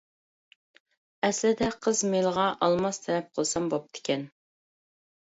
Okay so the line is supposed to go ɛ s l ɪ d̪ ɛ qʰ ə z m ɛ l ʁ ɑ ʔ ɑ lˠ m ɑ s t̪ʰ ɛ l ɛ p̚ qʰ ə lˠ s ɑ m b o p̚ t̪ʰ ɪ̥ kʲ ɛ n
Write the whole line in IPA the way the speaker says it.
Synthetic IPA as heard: ɛ s l ɪ d̪ ɛ qʰ ə z m e l ʁ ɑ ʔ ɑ lˠ m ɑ s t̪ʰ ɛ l ɛ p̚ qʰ ə lˠ s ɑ m b o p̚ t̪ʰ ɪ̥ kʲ ɛ n